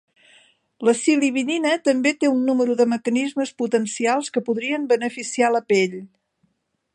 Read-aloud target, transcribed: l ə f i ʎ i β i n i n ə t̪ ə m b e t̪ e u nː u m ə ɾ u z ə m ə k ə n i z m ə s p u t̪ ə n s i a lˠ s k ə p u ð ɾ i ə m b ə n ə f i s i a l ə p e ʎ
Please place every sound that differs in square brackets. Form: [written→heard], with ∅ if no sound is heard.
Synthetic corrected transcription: l ə [f→s] i [ʎ→l] i β i n i n ə t̪ ə m b e t̪ e u nː u m ə ɾ u [z→ð] ə m ə k ə n i z m ə s p u t̪ ə n s i a lˠ s k ə p u ð ɾ i ə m b ə n ə f i s i a l ə p e ʎ